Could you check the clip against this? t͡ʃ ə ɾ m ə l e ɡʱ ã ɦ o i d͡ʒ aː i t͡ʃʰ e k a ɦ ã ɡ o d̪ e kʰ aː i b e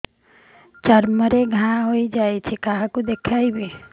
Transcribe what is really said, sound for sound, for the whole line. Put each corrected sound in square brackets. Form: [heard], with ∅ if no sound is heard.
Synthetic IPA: t͡ʃ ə ɾ m ə [ɾ] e ɡʱ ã ɦ o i d͡ʒ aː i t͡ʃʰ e k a ɦ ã [k] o d̪ e kʰ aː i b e